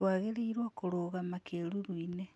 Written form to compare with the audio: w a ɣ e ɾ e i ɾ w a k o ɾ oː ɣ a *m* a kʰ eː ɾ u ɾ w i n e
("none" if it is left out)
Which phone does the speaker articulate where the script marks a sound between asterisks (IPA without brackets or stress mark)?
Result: m